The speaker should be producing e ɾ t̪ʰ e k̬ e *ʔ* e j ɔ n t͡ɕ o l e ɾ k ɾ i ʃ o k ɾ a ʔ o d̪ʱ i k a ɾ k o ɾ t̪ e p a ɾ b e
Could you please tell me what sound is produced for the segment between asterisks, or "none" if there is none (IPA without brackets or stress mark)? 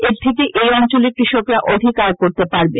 ʔ